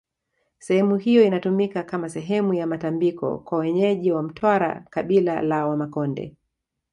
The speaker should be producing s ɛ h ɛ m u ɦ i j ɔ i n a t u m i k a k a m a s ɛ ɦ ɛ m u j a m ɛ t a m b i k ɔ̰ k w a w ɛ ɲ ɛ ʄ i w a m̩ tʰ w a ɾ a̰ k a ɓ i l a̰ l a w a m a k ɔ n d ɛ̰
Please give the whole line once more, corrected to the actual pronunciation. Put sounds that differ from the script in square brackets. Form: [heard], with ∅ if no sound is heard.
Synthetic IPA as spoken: s ɛ h ɛ m u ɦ i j ɔ i n a t u m i k a k a m a s ɛ ɦ ɛ m u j a m [a] t a m b i k ɔ̰ k w a w ɛ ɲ ɛ ʄ i w a m̩ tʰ w a ɾ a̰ k a ɓ i l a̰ l a w a m a k ɔ n d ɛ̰